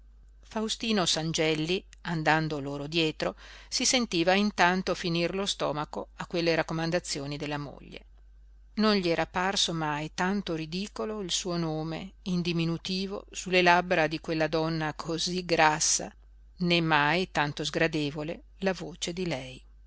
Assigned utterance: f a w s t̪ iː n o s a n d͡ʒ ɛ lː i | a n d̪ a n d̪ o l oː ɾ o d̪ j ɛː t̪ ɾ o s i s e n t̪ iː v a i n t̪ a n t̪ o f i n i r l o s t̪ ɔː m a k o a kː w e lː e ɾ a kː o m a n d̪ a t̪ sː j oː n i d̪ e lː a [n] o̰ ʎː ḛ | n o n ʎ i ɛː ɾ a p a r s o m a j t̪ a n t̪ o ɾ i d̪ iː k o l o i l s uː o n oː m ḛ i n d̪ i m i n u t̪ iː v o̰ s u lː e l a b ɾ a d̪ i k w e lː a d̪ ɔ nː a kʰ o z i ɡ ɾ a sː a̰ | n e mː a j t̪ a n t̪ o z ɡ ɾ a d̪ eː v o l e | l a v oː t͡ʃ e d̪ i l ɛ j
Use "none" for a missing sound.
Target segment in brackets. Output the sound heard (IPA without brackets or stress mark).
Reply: m